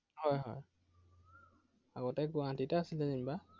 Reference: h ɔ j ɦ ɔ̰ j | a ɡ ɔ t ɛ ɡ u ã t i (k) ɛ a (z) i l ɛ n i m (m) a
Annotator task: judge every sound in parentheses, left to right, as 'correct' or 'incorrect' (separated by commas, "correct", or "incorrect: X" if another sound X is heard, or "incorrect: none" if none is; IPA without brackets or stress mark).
incorrect: t, incorrect: s, incorrect: b